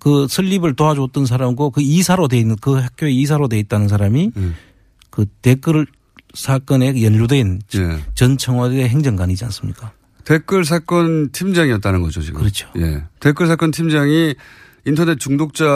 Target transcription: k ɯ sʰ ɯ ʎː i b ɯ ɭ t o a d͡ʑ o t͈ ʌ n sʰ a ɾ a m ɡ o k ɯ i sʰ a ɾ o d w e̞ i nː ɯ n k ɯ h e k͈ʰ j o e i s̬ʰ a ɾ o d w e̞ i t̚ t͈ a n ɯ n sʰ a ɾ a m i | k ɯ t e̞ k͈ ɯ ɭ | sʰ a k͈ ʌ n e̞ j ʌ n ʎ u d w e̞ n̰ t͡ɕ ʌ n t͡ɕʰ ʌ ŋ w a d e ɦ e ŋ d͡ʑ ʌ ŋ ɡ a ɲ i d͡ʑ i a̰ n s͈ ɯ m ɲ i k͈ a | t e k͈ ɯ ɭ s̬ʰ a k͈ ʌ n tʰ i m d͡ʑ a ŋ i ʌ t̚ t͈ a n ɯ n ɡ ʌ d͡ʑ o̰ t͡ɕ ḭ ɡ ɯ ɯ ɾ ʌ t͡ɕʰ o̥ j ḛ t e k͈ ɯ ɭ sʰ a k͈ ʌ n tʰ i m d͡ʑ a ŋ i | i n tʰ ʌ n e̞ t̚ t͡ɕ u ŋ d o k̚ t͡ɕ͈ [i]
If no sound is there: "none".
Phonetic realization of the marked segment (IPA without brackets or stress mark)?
a